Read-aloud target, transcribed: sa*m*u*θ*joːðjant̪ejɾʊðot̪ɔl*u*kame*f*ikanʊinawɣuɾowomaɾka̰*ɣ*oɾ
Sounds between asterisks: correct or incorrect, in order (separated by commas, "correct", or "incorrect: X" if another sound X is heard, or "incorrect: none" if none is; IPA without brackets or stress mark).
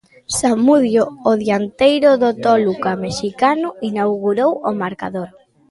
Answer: correct, incorrect: ð, correct, incorrect: ʃ, incorrect: ð